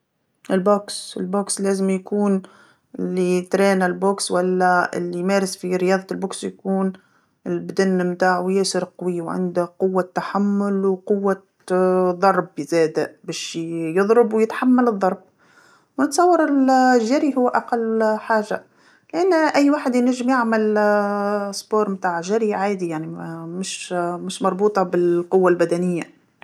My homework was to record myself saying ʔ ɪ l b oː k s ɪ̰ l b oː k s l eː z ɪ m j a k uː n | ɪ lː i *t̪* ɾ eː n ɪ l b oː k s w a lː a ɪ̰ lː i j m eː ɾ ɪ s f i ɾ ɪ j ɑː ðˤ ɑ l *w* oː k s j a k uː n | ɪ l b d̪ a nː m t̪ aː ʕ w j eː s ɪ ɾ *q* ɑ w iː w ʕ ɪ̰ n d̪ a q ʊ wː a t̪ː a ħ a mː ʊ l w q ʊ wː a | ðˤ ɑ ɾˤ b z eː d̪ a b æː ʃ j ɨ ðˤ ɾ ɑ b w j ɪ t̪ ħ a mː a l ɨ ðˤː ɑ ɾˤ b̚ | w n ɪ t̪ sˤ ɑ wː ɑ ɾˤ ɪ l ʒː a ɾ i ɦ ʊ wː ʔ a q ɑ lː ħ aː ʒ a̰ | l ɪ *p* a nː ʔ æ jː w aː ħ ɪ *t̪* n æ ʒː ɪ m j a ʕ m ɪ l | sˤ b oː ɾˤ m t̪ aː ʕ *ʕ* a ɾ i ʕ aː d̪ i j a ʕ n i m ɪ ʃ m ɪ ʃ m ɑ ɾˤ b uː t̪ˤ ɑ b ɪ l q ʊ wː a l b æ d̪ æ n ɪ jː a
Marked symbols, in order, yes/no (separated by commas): yes, no, yes, no, no, no